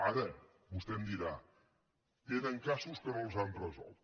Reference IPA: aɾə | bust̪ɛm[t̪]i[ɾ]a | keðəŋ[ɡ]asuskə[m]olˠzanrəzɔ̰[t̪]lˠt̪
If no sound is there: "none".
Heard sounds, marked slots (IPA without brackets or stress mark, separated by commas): d̪, ɾ, k, n, none